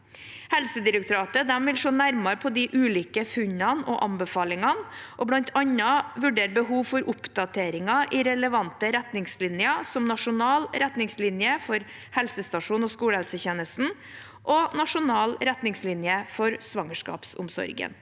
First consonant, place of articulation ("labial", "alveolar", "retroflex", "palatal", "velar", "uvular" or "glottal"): glottal